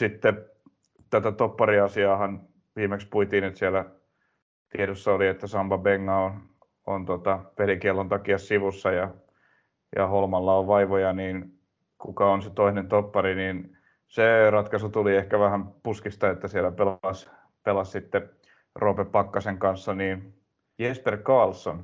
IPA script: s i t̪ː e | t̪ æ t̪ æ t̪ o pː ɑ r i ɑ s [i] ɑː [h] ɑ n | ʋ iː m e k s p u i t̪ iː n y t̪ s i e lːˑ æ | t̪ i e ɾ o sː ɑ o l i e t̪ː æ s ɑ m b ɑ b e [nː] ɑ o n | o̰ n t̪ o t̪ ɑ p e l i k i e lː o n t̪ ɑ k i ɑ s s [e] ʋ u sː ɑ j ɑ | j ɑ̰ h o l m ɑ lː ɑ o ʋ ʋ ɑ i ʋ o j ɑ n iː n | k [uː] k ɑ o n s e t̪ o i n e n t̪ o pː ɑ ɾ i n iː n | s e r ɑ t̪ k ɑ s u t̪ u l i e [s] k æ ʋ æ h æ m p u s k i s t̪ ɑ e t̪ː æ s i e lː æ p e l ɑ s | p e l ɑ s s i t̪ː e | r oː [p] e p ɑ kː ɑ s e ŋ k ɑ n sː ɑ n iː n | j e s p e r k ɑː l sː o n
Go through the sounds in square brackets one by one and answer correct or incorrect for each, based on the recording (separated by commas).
correct, correct, incorrect, incorrect, incorrect, incorrect, correct